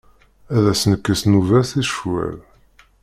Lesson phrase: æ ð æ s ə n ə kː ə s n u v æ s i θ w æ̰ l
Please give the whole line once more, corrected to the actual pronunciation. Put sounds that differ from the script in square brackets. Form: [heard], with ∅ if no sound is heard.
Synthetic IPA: æ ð æ s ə n ə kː ə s n u v æ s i [ʃ] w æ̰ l